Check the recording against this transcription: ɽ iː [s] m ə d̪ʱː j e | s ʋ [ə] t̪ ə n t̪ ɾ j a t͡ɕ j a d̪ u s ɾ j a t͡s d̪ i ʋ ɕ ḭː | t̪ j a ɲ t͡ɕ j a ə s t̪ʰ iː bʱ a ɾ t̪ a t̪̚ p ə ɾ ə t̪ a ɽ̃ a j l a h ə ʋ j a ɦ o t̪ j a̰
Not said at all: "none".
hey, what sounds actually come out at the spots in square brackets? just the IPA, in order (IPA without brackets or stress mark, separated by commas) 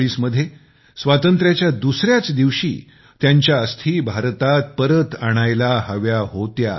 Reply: s, a